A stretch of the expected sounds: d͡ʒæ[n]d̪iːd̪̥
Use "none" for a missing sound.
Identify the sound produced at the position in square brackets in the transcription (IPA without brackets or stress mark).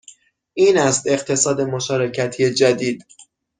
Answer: none